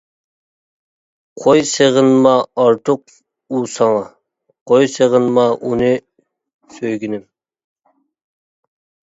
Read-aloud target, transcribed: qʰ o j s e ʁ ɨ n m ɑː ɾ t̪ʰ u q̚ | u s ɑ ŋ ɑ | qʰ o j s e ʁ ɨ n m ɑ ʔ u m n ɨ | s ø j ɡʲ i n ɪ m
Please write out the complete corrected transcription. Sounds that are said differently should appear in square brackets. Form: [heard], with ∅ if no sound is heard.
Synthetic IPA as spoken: qʰ o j s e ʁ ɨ n m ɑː ɾ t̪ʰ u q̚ | u s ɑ ŋ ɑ | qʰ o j s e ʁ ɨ n m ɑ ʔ u [∅] n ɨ | s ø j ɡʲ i n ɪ m